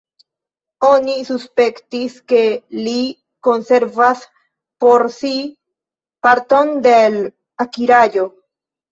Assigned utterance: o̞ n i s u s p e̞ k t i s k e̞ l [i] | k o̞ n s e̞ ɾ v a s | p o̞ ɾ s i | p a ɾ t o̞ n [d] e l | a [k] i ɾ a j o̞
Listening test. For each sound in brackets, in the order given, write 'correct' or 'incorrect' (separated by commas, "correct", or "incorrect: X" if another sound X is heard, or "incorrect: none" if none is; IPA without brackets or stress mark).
correct, correct, correct